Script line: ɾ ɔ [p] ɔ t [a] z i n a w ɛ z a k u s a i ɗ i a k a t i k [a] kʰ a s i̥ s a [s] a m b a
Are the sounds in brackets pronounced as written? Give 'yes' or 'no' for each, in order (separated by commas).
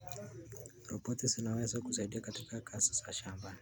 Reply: yes, no, yes, no